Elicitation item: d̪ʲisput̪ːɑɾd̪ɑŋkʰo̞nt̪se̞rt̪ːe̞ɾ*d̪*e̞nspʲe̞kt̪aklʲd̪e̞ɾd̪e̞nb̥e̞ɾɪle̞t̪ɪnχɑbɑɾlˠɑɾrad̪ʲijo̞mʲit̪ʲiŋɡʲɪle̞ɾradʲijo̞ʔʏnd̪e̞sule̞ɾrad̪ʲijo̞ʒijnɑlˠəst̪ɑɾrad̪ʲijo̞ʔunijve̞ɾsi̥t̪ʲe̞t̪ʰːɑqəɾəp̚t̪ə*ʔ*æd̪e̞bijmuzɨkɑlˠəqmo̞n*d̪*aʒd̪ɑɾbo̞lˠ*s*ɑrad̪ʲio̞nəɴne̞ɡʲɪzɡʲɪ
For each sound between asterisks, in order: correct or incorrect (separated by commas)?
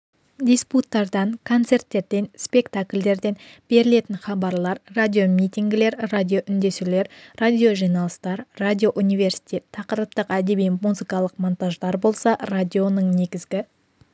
correct, incorrect, incorrect, correct